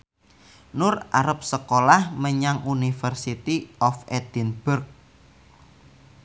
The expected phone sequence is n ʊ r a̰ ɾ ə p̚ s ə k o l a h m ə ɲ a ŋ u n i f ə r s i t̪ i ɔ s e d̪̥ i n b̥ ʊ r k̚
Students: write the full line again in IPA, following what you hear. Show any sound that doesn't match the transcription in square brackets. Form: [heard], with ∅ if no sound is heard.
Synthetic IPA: n ʊ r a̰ ɾ ə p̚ s ə k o l a h m ə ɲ a ŋ u n i f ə r s i t̪ i ɔ [f] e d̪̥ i n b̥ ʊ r k̚